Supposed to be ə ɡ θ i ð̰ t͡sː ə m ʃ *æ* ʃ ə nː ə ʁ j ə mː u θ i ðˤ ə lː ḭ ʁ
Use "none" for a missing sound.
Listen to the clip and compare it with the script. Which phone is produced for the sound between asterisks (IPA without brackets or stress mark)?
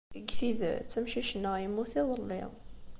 i